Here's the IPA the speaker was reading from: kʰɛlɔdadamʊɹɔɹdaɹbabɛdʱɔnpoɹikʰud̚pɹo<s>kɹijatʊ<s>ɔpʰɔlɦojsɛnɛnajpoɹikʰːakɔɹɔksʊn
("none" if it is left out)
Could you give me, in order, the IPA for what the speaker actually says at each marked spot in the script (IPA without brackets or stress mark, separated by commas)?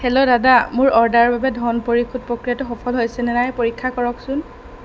none, x